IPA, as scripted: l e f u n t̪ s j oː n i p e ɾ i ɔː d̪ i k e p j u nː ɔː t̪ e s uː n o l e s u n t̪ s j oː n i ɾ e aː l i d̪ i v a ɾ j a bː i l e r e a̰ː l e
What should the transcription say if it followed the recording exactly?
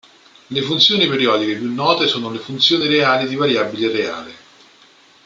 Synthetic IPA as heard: l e f u n t̪ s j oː n i p e ɾ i ɔː d̪ i k e p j u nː ɔː t̪ e s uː n o l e f u n t̪ s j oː n i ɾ e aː l i d̪ i v a ɾ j a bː i l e r e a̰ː l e